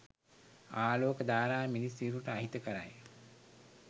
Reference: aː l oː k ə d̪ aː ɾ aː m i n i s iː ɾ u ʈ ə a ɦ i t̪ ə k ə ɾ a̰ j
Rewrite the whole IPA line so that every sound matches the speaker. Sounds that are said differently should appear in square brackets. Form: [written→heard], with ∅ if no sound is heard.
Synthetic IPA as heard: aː l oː k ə d̪ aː ɾ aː m i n i s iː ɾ u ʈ ə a ɦ i t̪ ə k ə ɾ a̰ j